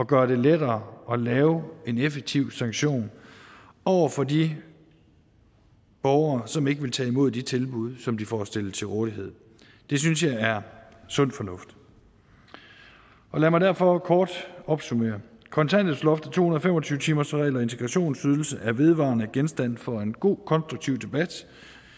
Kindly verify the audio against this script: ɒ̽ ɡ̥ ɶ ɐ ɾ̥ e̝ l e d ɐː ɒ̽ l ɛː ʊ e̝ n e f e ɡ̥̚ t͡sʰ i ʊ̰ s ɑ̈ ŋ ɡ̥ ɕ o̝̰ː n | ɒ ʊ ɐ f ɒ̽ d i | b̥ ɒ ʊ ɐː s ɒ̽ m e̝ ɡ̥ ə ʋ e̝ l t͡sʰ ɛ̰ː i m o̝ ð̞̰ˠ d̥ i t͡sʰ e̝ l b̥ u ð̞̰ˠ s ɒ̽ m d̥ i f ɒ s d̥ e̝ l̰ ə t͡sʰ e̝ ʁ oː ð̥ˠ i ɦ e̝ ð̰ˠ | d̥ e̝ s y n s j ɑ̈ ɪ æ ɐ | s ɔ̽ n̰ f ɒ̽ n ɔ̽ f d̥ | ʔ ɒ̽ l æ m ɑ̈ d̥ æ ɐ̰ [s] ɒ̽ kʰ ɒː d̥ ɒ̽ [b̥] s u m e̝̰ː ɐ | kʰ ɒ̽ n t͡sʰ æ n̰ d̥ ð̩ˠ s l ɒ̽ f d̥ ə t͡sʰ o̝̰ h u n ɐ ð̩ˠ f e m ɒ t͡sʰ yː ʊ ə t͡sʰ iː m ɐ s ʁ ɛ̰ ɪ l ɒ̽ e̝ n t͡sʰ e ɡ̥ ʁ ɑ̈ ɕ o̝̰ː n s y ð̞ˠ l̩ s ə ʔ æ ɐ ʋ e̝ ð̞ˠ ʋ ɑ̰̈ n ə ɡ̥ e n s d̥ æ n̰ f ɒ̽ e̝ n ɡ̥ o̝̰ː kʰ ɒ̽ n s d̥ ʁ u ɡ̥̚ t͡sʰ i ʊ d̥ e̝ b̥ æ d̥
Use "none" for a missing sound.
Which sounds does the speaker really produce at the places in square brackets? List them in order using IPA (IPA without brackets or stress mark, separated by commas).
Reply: f, b̥